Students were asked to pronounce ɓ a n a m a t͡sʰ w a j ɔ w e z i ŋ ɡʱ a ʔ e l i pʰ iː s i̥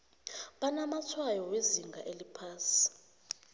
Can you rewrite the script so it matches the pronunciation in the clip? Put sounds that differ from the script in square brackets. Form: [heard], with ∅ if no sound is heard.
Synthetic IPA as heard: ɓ a n a m a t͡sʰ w a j ɔ w e z i ŋ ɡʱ a ʔ e l i pʰ [aː] s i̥